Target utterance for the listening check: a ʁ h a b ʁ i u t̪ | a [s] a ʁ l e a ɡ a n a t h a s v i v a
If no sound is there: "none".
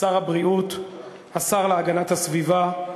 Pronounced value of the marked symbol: s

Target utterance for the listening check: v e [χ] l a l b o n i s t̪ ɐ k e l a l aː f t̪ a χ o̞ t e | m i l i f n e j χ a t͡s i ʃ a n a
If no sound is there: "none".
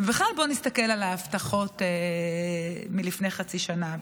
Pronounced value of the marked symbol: χ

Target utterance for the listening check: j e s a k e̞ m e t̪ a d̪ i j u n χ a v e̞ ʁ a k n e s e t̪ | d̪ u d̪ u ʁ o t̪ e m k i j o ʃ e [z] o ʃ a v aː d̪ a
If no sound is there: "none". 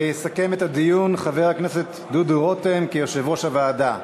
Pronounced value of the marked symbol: v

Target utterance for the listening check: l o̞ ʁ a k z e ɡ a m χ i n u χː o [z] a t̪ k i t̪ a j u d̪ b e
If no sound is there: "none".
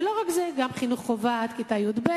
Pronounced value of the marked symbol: v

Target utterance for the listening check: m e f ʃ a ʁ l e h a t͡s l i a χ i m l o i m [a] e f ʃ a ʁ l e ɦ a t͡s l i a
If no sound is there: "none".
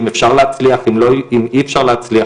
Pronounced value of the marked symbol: i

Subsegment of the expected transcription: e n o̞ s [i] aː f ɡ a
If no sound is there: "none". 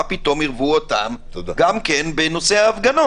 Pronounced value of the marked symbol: e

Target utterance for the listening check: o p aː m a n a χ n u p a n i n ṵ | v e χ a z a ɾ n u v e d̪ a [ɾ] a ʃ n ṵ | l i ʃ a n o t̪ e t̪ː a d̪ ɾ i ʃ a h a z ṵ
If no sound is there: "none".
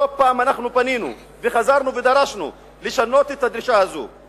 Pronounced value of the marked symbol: ɾ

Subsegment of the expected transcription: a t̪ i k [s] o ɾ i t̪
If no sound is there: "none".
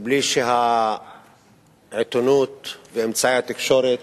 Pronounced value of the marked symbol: ʃ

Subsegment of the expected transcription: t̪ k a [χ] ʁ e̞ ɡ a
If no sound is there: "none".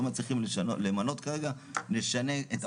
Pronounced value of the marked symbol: none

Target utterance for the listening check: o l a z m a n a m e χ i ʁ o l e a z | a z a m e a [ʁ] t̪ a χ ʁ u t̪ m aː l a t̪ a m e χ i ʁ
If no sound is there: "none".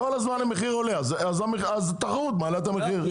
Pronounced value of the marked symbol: z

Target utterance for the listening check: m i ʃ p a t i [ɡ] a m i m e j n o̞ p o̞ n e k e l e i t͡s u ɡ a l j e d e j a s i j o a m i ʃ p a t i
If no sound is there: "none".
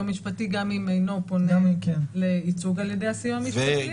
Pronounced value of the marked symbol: ɡ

